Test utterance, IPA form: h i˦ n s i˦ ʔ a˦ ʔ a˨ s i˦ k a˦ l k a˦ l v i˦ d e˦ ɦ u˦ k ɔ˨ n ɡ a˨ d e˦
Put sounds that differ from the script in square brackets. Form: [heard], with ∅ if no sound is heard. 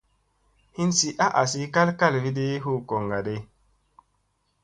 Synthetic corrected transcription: h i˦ n s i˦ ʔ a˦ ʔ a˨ s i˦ k a˦ l k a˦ l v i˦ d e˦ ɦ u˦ k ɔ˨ [ŋ] ɡ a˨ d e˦